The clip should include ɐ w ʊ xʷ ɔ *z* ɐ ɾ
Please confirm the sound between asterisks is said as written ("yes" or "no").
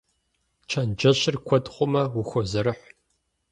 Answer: yes